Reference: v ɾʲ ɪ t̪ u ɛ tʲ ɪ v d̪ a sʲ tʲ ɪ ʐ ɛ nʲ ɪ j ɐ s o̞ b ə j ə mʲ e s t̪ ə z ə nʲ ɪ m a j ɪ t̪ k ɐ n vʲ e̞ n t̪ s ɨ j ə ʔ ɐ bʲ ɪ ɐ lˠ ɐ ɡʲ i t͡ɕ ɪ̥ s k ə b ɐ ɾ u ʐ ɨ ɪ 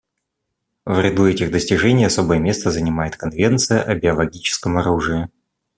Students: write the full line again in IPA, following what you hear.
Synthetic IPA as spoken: v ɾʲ ɪ d̪ u ɛ tʲ ɪ ɣ d̪ ə sʲ tʲ ɪ ʐ ɛ nʲ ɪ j ɐ s o̞ b ə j ə mʲ e s t̪ ə z ə nʲ ɪ m a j ɪ t̪ k ɐ n vʲ e̞ n t̪ s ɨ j ə ʔ ɐ bʲ ɪ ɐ lˠ ɐ ɡʲ i t͡ɕ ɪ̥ s k ə m ɐ ɾ u ʐ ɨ ɪ